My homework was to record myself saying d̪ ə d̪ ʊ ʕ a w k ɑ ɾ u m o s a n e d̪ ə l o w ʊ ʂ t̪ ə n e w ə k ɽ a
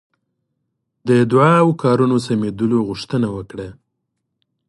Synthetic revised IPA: d̪ ə d̪ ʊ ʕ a w k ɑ ɾ u n o s a m e d̪ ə l o ɣ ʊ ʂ t̪ ə n a w ə k ɽ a